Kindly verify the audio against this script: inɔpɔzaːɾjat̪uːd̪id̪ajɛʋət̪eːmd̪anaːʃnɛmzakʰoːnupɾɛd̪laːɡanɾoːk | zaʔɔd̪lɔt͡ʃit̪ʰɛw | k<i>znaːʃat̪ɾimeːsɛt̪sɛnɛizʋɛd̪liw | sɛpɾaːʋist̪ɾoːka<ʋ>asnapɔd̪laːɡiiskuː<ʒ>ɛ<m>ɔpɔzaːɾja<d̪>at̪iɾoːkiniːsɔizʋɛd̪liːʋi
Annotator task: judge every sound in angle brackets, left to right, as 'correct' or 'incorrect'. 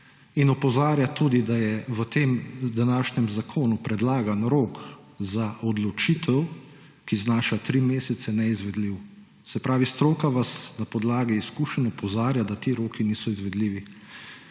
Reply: correct, correct, incorrect, incorrect, correct

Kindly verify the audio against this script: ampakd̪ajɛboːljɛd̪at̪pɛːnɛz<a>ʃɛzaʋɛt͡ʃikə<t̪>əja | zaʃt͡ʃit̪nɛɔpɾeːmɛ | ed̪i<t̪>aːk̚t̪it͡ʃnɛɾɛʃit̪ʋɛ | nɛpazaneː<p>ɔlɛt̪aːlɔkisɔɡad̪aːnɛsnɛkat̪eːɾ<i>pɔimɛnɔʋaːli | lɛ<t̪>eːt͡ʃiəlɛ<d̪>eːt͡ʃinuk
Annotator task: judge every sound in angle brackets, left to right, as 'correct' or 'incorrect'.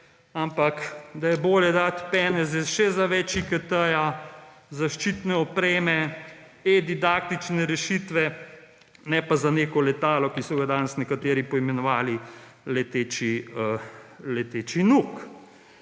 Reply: incorrect, correct, incorrect, incorrect, correct, correct, incorrect

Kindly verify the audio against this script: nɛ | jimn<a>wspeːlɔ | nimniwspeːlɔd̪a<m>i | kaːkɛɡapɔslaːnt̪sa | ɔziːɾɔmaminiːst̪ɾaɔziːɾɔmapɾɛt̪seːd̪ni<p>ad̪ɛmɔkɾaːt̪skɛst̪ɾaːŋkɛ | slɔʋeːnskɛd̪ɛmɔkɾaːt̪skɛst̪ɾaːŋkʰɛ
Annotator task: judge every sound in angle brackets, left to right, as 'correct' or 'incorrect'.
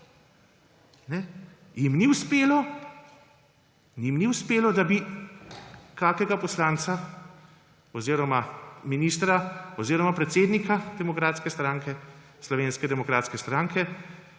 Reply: incorrect, incorrect, incorrect

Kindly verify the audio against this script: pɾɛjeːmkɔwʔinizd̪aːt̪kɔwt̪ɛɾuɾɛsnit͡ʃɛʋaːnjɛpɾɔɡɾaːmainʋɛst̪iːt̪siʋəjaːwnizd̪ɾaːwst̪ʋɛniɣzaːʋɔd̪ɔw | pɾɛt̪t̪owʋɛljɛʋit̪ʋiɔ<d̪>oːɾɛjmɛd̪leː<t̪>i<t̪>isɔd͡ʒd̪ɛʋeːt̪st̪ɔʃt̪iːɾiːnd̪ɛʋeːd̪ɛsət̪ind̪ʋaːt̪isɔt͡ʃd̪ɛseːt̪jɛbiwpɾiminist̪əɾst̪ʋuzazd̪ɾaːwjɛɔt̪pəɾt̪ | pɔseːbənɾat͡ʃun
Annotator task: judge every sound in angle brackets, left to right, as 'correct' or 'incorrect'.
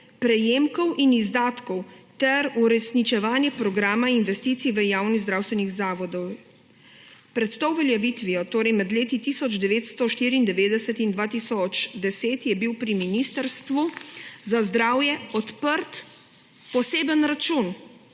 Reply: incorrect, correct, correct

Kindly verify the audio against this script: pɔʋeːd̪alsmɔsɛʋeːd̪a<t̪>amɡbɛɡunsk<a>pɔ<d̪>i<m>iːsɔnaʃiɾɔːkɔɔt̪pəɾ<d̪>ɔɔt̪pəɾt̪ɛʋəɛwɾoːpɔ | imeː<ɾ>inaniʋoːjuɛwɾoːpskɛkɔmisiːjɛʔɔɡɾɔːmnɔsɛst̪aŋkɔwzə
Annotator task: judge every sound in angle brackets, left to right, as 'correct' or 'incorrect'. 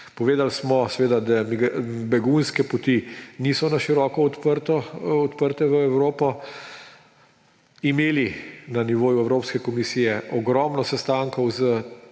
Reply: incorrect, incorrect, incorrect, incorrect, incorrect, incorrect

